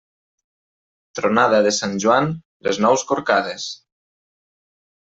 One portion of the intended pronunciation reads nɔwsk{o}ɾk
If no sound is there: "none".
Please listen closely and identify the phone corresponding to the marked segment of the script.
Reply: o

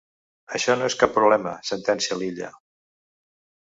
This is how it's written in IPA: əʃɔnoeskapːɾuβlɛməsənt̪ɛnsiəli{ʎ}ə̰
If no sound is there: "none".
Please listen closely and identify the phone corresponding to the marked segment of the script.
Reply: ʎ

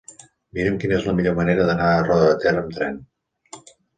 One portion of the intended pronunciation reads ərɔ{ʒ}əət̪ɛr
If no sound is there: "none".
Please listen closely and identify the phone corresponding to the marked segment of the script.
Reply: ð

